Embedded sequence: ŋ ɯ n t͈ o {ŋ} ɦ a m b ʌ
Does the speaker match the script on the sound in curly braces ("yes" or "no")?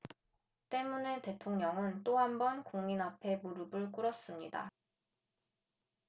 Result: no